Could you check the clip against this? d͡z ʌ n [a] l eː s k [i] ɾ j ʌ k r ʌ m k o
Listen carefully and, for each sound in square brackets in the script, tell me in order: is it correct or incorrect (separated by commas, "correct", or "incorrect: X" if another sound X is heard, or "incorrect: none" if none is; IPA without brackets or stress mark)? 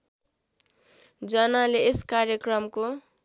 correct, incorrect: a